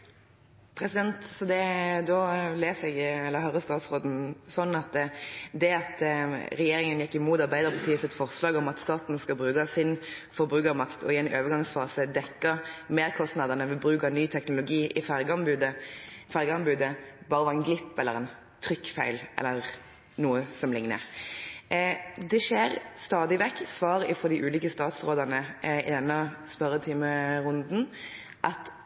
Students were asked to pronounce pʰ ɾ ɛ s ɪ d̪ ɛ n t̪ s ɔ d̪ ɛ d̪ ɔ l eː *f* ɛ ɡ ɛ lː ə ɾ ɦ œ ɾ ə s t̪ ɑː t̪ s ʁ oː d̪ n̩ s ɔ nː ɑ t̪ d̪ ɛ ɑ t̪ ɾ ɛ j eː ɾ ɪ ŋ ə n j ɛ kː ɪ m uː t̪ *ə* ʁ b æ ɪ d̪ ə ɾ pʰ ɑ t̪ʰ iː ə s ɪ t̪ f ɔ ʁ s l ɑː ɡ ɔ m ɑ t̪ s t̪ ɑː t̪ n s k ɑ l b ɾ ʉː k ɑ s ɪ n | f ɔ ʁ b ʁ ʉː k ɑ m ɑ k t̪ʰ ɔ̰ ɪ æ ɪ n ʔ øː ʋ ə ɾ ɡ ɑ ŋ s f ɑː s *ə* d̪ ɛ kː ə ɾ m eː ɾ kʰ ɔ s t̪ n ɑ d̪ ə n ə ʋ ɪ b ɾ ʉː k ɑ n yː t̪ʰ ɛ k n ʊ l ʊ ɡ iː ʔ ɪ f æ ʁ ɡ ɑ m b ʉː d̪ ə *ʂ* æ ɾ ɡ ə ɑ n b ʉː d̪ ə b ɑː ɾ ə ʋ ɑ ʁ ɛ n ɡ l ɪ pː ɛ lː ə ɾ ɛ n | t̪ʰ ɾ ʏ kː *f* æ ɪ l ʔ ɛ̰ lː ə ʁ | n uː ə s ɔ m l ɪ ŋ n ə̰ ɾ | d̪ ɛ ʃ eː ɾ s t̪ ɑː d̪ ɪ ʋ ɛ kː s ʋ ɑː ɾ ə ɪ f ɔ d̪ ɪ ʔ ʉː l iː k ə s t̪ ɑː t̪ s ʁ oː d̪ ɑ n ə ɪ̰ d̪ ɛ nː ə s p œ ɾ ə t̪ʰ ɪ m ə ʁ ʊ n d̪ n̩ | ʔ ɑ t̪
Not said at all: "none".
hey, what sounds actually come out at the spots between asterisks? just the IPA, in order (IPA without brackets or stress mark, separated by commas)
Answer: s, ɑ, ə, f, f